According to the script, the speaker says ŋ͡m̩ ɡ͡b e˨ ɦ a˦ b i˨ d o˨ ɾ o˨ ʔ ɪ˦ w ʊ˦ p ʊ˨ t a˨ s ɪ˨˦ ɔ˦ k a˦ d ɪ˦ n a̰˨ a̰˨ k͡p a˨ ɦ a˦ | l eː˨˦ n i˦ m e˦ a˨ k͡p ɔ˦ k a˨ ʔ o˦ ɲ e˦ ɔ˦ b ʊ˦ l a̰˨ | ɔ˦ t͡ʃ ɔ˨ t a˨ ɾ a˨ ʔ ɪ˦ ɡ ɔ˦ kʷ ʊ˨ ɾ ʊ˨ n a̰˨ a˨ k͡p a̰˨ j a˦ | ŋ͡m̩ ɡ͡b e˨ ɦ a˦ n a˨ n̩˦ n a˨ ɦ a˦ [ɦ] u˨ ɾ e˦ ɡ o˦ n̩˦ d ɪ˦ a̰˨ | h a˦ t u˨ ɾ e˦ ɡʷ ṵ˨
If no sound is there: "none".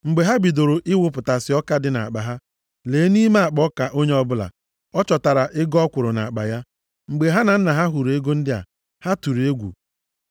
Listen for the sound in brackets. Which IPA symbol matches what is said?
ɦ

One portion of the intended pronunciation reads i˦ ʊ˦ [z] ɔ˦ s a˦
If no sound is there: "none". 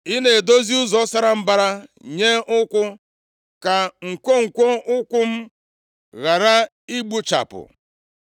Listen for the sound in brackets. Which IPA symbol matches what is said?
z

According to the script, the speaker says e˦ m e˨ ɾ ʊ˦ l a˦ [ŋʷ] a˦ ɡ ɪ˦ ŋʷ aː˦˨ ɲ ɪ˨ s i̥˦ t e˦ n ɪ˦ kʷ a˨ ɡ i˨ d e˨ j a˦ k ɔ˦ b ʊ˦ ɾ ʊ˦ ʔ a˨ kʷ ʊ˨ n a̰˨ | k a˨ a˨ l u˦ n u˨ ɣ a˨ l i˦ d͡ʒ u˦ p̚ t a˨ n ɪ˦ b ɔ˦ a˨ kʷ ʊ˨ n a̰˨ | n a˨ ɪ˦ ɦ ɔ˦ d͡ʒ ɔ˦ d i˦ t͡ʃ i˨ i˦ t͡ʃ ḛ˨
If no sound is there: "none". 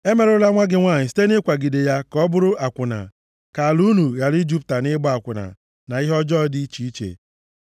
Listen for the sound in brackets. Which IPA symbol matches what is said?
ŋʷ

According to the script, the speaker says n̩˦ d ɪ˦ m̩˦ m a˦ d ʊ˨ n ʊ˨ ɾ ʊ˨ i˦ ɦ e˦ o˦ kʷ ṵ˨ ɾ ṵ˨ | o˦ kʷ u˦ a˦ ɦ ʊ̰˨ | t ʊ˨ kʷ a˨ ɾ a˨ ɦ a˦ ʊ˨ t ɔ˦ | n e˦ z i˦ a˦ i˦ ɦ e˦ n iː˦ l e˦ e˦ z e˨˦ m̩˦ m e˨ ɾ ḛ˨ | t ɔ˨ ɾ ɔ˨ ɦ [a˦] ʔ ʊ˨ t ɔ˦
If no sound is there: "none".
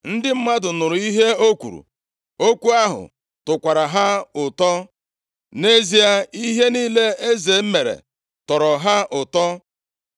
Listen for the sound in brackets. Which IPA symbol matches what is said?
a˦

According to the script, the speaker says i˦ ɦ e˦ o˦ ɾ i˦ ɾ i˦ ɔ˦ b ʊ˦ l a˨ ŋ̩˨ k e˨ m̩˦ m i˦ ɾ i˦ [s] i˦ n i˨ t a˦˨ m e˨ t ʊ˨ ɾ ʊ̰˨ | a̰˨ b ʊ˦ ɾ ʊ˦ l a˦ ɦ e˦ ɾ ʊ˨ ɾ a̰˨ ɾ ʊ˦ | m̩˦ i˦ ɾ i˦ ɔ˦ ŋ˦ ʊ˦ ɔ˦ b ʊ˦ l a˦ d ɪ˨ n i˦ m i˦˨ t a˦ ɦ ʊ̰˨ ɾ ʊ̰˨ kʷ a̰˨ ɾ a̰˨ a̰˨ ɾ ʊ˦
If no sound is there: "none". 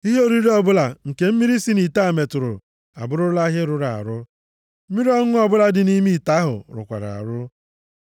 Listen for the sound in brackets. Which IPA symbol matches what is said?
s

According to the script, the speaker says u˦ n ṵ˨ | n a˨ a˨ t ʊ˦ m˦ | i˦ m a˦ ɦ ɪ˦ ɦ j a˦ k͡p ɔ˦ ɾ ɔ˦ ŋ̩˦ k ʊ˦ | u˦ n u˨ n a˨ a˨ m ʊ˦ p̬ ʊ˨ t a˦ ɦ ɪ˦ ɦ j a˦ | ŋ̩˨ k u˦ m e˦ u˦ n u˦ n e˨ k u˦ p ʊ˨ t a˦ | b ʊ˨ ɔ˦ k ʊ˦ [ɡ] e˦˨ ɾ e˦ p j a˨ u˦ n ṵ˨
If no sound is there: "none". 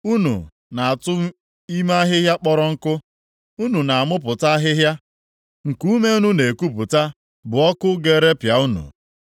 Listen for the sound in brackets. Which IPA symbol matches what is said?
ɡ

